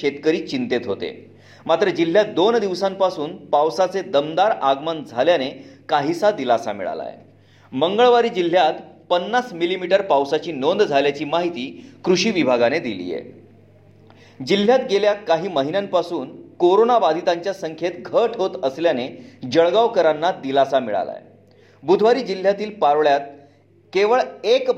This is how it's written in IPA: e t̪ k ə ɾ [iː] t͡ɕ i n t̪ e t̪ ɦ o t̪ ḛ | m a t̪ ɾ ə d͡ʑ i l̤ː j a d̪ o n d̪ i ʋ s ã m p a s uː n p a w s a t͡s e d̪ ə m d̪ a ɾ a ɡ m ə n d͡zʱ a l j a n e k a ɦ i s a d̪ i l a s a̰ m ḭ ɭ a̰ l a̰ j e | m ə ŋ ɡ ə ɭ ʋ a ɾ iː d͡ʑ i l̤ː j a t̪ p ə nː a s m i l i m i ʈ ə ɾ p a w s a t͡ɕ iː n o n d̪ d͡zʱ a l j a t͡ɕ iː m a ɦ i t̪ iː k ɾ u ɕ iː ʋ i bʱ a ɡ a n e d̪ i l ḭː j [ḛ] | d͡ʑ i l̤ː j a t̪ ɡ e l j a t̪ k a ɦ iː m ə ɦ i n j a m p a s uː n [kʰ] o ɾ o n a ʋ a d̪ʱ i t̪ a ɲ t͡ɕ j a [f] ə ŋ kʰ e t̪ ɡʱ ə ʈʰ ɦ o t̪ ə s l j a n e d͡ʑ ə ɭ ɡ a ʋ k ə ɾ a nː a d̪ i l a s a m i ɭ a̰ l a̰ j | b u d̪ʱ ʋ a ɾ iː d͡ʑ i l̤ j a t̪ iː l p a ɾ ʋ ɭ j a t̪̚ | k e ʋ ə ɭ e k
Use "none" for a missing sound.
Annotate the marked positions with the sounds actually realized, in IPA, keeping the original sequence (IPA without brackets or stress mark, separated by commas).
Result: iː, ḛ, k, s